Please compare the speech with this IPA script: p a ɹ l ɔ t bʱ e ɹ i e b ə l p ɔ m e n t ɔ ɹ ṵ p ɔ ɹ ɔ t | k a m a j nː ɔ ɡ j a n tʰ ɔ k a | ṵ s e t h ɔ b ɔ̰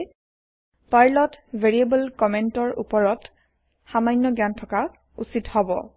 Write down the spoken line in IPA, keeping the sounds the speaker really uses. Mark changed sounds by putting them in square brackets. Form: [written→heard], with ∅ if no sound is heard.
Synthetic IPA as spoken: p a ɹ l ɔ t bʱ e ɹ i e b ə l [p→k] ɔ m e n t ɔ ɹ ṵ p ɔ ɹ ɔ t | [k→x] a m a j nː ɔ ɡ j a n tʰ ɔ k a | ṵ s [e→i] t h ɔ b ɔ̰